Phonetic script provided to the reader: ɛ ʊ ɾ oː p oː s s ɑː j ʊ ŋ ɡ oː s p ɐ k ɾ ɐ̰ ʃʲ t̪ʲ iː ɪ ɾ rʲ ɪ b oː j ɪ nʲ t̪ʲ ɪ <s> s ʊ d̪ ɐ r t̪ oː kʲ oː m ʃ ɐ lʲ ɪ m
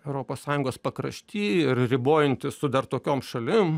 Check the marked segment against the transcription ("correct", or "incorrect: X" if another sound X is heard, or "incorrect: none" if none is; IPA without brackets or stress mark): correct